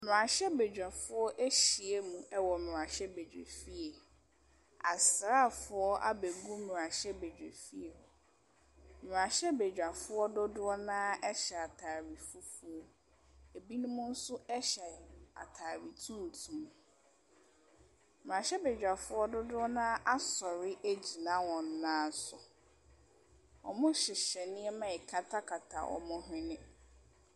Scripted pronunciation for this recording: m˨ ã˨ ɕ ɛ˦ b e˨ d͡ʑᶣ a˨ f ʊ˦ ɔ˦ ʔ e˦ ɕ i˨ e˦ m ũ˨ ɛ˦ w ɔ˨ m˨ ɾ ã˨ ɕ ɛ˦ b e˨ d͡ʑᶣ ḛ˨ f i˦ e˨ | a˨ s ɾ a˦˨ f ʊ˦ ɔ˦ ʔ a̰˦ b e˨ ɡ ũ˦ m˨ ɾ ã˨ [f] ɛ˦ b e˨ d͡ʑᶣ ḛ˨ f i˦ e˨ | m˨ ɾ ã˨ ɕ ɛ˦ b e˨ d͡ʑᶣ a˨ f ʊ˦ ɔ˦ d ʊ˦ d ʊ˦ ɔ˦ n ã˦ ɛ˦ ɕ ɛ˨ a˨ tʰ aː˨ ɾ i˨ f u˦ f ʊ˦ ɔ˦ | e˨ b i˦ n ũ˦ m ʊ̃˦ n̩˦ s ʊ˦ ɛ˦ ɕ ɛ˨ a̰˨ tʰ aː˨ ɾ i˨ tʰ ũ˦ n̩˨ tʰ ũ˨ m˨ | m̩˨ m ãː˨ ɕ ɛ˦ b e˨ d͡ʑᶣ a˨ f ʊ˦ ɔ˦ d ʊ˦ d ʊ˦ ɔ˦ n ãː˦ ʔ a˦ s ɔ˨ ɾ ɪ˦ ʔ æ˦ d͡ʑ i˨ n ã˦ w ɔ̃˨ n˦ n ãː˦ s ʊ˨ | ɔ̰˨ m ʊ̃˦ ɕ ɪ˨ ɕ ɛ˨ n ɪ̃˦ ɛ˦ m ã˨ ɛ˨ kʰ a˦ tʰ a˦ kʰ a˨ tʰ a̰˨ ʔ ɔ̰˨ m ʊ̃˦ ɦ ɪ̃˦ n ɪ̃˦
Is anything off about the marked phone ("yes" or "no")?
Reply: yes